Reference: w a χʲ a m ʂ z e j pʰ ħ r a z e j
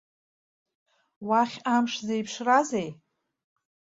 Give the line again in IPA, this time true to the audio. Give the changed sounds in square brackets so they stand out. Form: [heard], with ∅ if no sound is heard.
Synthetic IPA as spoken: w a χʲ a m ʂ z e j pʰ [ʂ] r a z e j